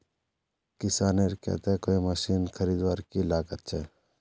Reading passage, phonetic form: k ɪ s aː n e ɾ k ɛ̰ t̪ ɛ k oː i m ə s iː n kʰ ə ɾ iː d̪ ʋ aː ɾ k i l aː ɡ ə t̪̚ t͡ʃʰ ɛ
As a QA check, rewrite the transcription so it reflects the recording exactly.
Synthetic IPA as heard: k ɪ s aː n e ɾ k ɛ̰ t̪ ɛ k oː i m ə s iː n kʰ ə ɾ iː d̪ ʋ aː ɾ k i l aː ɡ ə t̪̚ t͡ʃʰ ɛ